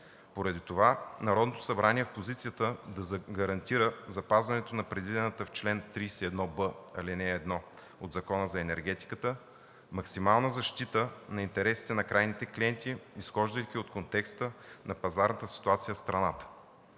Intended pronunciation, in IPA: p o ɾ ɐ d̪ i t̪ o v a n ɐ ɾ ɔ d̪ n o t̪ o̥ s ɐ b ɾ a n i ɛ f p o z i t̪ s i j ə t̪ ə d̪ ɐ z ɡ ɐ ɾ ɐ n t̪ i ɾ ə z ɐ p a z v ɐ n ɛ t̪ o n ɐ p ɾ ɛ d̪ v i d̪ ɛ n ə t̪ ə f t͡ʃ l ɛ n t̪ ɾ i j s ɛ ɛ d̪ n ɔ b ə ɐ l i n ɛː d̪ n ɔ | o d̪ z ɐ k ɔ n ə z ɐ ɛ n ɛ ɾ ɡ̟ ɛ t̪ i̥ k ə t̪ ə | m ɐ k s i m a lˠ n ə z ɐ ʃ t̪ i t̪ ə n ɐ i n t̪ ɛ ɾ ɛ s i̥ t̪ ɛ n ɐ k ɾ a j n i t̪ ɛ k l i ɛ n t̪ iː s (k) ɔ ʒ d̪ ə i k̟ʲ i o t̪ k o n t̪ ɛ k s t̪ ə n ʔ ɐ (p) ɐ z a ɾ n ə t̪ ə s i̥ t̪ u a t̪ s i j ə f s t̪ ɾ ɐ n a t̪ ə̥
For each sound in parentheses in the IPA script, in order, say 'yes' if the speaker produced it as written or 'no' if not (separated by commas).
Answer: no, yes